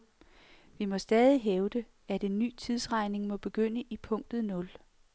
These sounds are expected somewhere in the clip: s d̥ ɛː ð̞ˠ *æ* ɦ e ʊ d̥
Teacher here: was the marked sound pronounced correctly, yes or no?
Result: no